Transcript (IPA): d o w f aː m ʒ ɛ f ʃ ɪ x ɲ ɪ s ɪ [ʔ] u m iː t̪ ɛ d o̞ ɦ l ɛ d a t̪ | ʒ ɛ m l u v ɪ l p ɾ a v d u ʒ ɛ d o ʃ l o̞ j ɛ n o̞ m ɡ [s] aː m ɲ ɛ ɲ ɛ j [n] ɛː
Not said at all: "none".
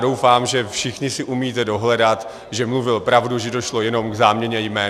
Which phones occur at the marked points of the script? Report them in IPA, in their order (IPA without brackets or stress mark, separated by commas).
ʔ, z, m